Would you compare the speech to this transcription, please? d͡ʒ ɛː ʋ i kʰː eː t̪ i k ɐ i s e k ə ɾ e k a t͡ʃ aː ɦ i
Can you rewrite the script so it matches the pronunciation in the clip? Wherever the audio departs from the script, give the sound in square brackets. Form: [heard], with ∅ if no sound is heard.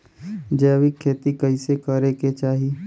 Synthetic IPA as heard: d͡ʒ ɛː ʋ i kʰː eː t̪ i k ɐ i s e k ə ɾ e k [e] t͡ʃ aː ɦ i